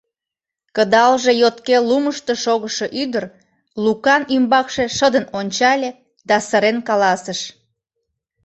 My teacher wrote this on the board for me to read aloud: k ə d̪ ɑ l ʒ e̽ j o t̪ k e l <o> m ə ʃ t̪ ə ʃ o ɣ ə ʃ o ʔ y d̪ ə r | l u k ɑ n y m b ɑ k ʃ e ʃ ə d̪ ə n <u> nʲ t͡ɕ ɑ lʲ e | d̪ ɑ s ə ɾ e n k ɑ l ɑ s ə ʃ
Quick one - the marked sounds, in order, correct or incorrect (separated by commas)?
incorrect, incorrect